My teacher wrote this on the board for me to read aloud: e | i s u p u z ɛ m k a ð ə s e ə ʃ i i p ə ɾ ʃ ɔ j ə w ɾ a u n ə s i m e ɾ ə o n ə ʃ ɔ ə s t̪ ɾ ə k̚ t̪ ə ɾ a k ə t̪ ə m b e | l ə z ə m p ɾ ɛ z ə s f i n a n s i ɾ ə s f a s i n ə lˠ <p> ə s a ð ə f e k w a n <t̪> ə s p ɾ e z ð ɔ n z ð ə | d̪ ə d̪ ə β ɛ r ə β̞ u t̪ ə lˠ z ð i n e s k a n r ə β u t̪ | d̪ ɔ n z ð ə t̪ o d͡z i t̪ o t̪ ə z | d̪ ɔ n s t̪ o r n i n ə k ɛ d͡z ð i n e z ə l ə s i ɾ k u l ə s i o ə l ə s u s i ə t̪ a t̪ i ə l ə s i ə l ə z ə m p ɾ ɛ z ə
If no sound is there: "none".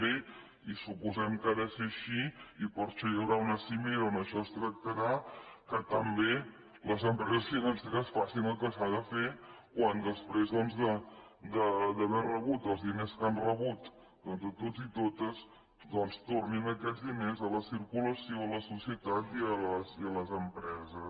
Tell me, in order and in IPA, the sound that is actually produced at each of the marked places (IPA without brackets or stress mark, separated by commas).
k, d̪